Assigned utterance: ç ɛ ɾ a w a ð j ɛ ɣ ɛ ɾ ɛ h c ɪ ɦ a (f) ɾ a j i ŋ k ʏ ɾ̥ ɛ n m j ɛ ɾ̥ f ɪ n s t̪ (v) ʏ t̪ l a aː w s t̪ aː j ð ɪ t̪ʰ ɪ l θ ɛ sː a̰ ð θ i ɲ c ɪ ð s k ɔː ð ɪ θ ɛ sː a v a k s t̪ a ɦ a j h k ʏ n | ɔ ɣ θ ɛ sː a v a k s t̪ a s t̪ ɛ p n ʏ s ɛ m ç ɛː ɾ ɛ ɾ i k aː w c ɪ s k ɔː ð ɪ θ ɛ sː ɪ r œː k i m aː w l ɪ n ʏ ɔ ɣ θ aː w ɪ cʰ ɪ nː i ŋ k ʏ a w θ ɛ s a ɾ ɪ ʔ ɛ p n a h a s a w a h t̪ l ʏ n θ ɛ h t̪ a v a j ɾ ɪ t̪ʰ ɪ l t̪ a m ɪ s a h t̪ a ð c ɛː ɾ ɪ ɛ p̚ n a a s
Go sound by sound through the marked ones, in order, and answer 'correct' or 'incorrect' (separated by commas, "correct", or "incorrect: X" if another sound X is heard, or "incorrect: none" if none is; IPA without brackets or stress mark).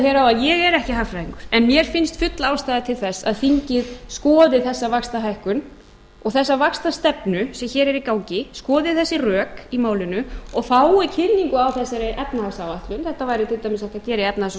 correct, incorrect: f